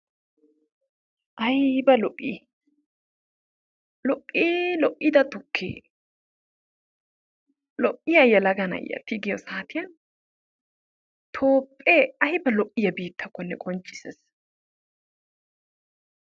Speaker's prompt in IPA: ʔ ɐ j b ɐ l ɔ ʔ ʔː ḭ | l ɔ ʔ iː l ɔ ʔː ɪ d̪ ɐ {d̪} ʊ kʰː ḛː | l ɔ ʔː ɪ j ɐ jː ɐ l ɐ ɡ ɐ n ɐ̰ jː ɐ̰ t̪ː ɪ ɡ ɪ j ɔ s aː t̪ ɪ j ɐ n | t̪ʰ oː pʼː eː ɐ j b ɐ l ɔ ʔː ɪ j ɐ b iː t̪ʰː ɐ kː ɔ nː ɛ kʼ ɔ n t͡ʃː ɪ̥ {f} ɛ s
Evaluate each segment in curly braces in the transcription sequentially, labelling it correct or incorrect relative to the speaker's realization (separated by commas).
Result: incorrect, incorrect